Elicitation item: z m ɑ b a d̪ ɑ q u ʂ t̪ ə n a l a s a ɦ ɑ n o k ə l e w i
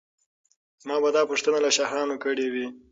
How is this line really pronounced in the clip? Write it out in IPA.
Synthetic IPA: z m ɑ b a d̪ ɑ p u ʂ t̪ ə n a l a ʃ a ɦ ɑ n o k ə ɽ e w i

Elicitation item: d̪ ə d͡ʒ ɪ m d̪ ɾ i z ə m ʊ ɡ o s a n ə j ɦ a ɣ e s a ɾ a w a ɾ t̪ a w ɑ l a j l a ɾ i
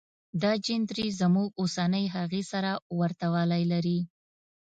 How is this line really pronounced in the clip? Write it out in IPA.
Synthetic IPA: d̪ ɑ d͡ʒ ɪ n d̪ ɾ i z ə m u ɡ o s a n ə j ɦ a ɣ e s a ɾ a w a ɾ t̪ a w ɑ l a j l a ɾ i

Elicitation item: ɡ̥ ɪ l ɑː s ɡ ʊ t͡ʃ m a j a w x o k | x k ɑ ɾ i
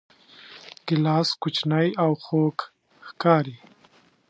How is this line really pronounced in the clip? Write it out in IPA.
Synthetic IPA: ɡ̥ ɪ l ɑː s k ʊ t͡ʃ n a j a w x o k | x k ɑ ɾ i

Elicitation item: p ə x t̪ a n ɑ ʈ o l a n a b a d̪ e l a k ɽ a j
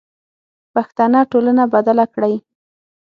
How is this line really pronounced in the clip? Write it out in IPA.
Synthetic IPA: p a x t̪ a n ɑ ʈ o l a n a b a d̪ a l a k ɽ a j

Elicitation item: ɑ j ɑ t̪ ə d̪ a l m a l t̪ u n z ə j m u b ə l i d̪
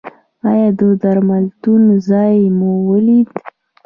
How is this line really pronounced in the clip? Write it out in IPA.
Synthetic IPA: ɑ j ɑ d̪ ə d̪ a ɾ m a l t̪ u n z ɑ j m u w ə l i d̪

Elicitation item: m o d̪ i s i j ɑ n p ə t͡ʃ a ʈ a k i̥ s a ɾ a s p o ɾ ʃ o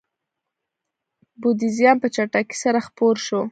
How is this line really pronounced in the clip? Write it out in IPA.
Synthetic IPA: b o d̪ i z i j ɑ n p ə t͡ʃ a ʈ a k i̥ s a ɾ a x p o ɾ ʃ o

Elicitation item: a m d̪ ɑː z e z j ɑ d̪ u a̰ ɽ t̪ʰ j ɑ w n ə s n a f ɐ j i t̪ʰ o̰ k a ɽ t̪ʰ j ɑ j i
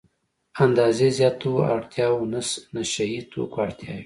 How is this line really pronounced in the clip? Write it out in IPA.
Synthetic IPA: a n d̪ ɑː z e z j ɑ t̪ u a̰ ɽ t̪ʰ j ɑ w n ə s n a ʃ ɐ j i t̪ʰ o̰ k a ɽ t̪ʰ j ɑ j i

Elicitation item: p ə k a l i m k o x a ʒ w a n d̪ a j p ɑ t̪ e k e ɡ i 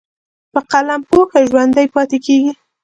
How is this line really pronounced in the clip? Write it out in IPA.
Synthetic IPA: p ə q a l a m p o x a ʒ w a n d̪ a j p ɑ t̪ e k e ɡ i

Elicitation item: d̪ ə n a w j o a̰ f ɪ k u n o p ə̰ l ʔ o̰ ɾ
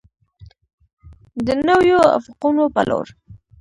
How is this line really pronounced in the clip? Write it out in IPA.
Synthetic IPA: d̪ ə n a w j o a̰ f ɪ q u n o p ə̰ l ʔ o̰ ɾ

